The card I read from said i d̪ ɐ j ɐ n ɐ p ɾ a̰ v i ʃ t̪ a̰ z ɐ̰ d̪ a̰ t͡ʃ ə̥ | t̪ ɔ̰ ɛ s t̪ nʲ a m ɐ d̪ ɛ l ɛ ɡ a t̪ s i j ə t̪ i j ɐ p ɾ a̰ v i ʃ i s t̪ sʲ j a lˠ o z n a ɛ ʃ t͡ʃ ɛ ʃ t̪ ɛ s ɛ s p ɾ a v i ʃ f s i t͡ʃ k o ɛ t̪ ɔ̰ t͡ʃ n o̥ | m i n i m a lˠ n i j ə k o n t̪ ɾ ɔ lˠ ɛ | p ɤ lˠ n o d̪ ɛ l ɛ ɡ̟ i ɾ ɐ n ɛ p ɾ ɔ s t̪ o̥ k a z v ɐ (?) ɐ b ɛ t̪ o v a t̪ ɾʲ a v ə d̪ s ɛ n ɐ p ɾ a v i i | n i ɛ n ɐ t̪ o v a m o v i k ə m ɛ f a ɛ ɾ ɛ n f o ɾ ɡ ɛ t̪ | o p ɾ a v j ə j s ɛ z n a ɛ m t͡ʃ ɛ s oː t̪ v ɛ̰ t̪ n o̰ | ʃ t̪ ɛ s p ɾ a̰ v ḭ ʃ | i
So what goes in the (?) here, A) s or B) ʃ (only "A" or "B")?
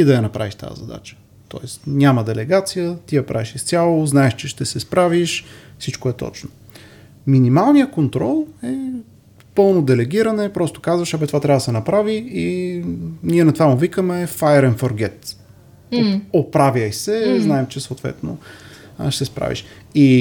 B